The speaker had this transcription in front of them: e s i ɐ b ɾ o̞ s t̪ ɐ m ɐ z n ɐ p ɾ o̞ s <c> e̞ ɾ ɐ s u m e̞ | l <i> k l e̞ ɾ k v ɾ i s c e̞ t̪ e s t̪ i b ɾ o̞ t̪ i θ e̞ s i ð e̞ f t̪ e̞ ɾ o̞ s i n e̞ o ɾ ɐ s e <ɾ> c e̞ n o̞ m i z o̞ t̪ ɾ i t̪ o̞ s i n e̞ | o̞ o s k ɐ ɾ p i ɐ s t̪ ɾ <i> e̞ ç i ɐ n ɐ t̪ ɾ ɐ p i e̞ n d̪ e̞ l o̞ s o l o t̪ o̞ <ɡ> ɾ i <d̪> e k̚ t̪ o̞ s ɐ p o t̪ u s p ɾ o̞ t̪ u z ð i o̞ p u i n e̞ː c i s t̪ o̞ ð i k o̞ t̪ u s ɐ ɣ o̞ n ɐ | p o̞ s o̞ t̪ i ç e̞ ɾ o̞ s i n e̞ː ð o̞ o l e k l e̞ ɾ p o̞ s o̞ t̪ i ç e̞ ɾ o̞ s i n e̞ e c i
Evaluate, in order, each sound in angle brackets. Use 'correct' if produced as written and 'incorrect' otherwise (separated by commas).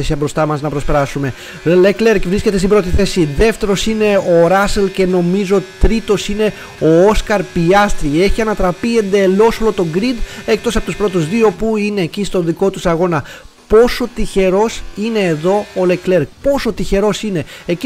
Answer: incorrect, incorrect, incorrect, correct, correct, correct